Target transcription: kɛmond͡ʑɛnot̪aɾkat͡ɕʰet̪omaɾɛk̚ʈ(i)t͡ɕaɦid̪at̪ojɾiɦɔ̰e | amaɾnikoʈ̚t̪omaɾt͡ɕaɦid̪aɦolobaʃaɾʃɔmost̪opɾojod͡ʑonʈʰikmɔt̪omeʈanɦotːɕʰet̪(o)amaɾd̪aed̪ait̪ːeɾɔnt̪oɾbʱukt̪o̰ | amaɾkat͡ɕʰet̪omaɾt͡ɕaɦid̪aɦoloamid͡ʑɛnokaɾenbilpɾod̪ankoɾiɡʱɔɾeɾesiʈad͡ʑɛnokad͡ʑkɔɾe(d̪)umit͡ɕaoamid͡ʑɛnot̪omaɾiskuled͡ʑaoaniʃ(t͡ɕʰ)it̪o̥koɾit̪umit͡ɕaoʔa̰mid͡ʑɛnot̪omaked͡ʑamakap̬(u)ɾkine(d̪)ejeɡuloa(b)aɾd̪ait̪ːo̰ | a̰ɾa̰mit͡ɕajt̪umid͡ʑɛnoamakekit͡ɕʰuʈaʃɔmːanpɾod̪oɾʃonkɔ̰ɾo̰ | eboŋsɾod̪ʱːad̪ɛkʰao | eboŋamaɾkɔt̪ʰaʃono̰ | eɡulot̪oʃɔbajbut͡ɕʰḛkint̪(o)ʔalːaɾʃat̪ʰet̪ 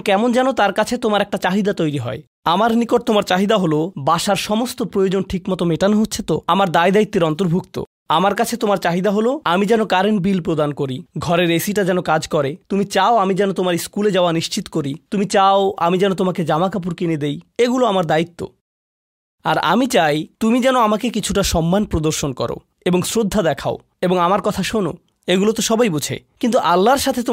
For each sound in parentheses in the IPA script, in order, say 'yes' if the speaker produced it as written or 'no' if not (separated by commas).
no, yes, no, no, yes, yes, no, no